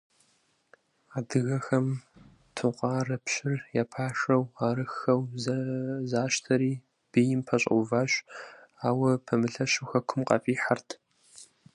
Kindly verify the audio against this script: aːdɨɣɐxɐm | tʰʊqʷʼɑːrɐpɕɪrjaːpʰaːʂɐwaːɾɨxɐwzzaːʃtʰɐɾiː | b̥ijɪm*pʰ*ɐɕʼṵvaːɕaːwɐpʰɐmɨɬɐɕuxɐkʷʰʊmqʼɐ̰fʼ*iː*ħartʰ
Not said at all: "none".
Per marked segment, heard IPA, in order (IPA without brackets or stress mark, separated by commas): pʰ, iː